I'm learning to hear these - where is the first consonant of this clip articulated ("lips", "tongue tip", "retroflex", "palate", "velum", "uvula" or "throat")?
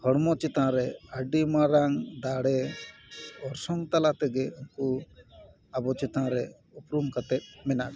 throat